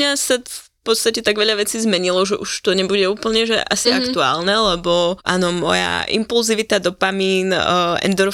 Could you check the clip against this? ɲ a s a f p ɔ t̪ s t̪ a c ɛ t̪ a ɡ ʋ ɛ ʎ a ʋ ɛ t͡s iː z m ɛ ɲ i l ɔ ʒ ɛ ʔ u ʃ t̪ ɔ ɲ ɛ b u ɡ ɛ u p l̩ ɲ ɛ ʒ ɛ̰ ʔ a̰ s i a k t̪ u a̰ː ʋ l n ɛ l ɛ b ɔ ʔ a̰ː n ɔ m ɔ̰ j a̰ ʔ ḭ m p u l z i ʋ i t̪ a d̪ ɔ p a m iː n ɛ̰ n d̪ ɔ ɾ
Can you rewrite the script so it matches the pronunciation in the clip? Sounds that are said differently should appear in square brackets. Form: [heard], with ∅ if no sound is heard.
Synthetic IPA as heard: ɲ a s a f p ɔ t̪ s t̪ a c ɛ t̪ a ɡ ʋ ɛ ʎ a ʋ ɛ t͡s iː z m ɛ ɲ i l ɔ ʒ ɛ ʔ u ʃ t̪ ɔ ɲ ɛ b u [ɟ] ɛ [uː] p l̩ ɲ ɛ ʒ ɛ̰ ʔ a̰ s i a k t̪ u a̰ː [∅] l n ɛ l ɛ b ɔ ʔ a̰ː n ɔ m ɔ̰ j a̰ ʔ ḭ m p u l z i ʋ i t̪ a d̪ ɔ p a m iː n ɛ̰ n d̪ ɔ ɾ